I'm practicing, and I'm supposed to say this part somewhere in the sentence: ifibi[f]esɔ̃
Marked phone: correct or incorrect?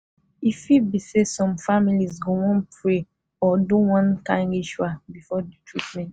incorrect